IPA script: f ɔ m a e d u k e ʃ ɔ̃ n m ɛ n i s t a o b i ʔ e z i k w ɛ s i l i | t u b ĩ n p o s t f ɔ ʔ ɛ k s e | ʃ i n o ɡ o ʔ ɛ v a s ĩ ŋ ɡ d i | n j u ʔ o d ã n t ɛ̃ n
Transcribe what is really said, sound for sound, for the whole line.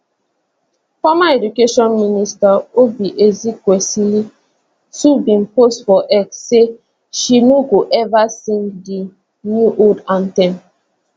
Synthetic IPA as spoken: f ɔ m a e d u k e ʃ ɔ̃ n m i n i s t a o b i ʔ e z i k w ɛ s i l i | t u b ĩ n p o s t f ɔ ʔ ɛ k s e | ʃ i n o ɡ o ʔ ɛ v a s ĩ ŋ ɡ d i | n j u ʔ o d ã n t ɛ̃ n

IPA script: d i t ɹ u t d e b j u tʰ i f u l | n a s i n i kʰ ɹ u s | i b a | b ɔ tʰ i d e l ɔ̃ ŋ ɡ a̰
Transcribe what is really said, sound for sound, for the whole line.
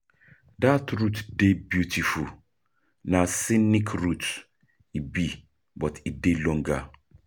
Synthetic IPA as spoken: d a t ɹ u t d e b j u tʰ i f u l | n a s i n i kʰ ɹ u t | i b i | b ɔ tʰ i d e l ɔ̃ ŋ ɡ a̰

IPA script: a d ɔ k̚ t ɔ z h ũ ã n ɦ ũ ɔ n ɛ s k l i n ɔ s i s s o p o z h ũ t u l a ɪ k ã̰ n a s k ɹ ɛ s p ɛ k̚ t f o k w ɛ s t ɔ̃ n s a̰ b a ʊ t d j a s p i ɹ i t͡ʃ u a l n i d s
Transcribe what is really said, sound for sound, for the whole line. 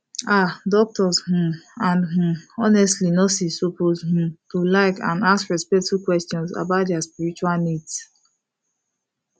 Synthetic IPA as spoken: a d ɔ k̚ t ɔ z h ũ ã n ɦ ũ ɔ n ɛ s t l i n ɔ s i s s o p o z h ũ t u l a ɪ k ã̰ n a s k ɹ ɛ s p ɛ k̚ t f u k w ɛ s t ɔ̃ n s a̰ b a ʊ t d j a s p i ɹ i t͡ʃ u a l n i d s

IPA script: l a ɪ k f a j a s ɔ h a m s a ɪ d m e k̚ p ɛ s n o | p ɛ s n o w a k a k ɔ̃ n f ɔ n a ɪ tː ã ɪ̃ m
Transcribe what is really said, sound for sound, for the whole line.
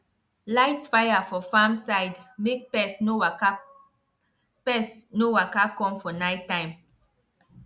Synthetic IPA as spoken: l a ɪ t f a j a f ɔ f a m s a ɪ d m e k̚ p ɛ s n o | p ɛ s n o w a k a k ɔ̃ m f ɔ n a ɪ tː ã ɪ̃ m

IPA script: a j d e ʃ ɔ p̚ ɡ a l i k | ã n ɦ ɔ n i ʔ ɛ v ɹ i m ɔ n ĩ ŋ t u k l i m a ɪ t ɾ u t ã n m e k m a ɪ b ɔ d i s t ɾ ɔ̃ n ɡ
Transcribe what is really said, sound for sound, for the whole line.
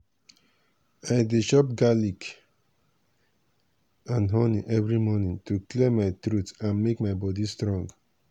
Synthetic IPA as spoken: a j d e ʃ ɔ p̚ ɡ a l i k | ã n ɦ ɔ n i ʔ ɛ v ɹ i m ɔ n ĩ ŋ t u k l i m a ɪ t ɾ u t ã n m e k m a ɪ b ɔ d i s t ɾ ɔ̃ ŋ ɡ

